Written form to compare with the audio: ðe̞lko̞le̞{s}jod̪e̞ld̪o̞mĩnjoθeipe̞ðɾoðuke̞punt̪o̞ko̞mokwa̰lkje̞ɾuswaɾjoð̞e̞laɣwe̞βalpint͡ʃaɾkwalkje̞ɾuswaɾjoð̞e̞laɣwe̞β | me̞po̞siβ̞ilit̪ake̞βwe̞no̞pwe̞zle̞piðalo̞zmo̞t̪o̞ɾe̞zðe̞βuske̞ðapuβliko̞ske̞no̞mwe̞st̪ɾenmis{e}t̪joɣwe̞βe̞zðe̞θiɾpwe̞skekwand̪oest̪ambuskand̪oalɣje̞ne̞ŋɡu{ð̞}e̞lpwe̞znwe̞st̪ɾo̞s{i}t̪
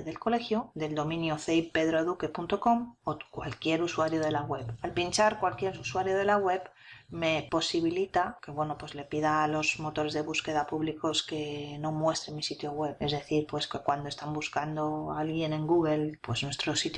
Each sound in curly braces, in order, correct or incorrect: incorrect: x, incorrect: i, incorrect: ɣ̞, correct

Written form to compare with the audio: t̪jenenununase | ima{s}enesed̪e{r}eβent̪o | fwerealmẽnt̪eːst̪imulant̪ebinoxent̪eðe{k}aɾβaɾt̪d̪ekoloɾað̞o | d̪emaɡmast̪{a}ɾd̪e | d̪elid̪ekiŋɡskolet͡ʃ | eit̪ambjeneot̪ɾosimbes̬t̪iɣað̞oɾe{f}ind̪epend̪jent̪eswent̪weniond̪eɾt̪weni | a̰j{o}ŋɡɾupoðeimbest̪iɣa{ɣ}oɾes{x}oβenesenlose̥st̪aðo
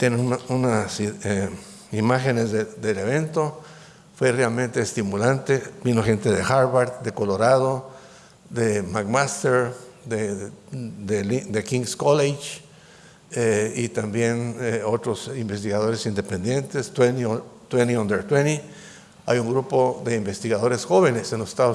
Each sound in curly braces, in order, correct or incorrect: incorrect: x, incorrect: l, incorrect: x, incorrect: e, incorrect: s, incorrect: u, incorrect: ð, correct

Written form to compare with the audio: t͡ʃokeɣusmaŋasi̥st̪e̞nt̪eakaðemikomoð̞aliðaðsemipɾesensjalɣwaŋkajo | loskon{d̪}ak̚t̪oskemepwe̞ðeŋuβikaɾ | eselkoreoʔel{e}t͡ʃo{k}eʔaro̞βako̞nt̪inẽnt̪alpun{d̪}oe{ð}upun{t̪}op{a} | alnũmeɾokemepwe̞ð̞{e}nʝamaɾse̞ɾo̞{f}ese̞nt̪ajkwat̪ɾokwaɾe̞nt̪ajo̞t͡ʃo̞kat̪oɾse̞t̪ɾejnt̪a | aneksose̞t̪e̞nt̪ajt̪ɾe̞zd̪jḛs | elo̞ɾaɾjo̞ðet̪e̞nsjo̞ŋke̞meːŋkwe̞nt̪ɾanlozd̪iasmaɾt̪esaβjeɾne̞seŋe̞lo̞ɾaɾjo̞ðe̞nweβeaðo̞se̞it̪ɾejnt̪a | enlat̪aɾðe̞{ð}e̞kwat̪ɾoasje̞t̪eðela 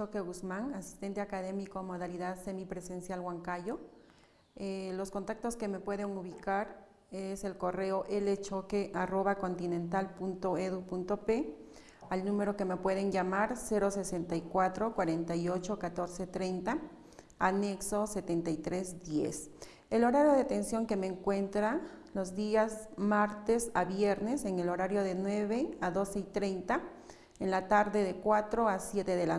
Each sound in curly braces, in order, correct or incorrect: incorrect: t̪, correct, correct, incorrect: t̪, correct, correct, incorrect: e, correct, incorrect: s, correct

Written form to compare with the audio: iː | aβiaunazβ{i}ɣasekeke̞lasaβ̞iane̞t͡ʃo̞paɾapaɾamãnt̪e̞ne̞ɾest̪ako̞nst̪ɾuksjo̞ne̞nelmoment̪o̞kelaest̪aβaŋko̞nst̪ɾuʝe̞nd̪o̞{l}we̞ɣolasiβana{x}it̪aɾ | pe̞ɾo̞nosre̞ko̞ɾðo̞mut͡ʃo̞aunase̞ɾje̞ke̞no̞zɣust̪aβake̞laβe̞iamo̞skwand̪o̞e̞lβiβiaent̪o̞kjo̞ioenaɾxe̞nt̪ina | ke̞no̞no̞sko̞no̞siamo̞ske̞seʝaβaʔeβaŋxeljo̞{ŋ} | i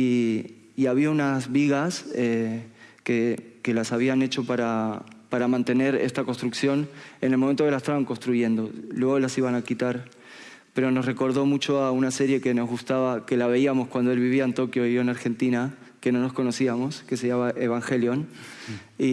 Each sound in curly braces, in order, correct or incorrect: correct, correct, incorrect: k, incorrect: n

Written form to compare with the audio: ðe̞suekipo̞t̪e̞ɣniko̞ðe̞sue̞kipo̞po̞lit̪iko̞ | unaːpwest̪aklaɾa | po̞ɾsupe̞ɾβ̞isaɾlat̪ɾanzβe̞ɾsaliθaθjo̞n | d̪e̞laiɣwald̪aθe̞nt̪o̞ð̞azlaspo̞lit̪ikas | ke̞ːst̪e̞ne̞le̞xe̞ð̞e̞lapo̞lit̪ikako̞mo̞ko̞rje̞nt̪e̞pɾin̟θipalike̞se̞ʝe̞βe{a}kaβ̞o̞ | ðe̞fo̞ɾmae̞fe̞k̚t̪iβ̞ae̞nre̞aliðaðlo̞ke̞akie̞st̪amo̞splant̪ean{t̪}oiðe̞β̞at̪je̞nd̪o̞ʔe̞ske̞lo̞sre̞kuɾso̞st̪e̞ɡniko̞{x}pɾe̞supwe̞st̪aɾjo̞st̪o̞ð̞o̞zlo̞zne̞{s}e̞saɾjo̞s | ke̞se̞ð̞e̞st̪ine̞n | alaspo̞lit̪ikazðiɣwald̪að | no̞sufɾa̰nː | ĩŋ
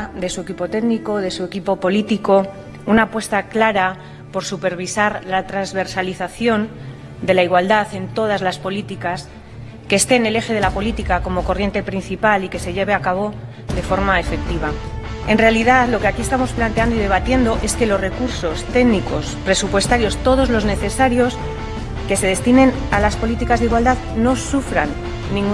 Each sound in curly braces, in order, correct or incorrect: correct, incorrect: d̪, incorrect: s, incorrect: θ

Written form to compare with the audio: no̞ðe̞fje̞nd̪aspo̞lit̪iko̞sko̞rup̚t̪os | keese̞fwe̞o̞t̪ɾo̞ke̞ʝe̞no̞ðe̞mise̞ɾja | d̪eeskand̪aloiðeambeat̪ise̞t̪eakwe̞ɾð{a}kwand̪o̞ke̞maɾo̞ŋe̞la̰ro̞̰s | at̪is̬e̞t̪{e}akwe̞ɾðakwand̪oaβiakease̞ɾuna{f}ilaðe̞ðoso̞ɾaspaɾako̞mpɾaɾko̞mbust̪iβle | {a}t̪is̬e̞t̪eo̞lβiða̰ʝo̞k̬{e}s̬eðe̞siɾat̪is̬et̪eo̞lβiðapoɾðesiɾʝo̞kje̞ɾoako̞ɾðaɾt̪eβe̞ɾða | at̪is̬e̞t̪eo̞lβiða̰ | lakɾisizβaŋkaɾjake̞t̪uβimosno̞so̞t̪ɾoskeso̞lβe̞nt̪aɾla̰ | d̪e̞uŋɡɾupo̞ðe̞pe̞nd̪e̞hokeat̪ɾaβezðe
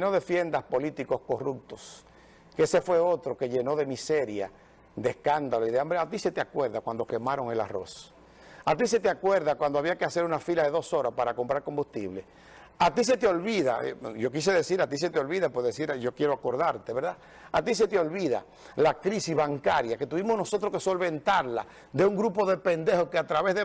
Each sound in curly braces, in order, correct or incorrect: correct, correct, correct, correct, incorrect: i

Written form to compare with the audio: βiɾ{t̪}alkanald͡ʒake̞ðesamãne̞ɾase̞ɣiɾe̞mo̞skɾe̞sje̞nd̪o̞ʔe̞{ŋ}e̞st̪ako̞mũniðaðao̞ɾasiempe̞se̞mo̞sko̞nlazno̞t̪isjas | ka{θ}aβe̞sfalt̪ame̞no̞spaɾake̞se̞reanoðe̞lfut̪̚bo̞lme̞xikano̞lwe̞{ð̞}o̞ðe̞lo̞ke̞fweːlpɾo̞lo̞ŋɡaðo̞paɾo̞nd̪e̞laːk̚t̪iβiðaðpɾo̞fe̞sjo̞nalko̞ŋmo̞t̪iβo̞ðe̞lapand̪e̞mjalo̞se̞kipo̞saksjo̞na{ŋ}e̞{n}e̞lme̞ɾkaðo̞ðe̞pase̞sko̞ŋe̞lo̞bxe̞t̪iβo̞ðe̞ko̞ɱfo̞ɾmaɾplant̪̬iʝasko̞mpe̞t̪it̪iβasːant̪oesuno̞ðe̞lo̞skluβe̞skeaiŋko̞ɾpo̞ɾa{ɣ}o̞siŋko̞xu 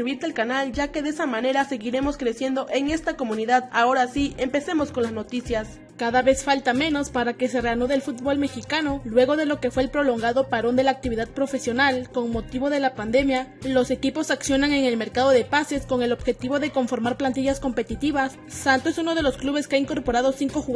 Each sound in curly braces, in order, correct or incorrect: correct, correct, incorrect: ð, incorrect: ɣ̞, correct, incorrect: ŋ, incorrect: ð

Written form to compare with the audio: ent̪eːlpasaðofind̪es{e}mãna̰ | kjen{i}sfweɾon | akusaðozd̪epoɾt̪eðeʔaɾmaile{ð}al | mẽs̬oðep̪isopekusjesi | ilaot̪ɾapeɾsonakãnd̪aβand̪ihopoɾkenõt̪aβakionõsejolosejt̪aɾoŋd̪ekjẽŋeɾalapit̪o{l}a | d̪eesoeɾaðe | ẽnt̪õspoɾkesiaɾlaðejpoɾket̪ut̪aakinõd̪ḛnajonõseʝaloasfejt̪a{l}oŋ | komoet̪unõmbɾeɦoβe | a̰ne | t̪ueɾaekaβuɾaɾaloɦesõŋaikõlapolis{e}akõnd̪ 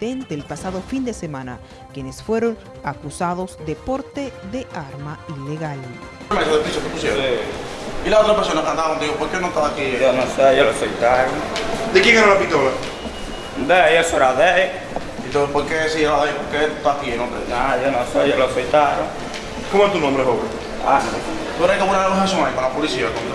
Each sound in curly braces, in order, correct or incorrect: correct, incorrect: e, incorrect: ɣ, correct, incorrect: ɾ, incorrect: i

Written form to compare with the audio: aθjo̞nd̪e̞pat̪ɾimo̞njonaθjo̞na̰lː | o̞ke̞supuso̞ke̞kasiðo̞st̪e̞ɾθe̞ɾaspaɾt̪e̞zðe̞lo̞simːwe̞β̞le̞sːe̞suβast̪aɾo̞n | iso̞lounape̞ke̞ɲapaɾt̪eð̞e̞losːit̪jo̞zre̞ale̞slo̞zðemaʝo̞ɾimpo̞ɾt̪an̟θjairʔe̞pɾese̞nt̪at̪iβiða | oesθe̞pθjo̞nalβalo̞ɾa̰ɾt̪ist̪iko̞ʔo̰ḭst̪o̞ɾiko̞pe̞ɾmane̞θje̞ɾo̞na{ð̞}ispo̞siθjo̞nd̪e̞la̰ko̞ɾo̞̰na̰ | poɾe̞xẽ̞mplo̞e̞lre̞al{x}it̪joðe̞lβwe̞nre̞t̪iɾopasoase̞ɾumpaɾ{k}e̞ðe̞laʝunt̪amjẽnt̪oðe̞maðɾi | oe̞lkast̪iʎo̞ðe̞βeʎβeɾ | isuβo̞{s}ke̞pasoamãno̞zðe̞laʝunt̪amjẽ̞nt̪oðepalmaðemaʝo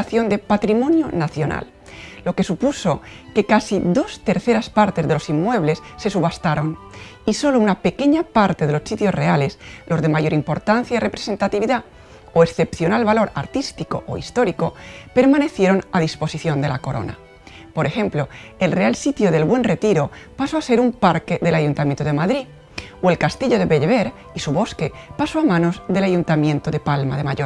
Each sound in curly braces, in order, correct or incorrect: correct, incorrect: s, correct, correct

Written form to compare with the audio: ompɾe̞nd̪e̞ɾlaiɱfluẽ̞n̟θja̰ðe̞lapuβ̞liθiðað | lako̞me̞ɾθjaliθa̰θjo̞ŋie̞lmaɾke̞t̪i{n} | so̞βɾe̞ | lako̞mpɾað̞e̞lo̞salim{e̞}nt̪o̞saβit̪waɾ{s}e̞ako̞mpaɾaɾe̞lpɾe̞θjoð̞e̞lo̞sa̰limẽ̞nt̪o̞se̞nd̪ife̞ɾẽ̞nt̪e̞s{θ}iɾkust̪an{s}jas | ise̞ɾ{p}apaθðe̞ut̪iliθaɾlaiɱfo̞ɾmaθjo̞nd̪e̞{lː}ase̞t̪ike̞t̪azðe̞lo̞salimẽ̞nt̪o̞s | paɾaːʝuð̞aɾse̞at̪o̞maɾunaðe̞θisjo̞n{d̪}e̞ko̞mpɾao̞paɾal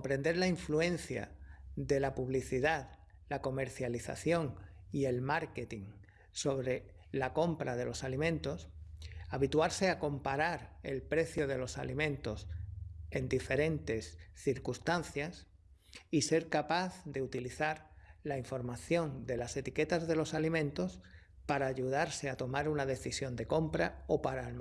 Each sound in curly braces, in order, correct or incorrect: incorrect: ŋ, incorrect: ẽ̞, correct, correct, incorrect: θ, incorrect: k, incorrect: l, correct

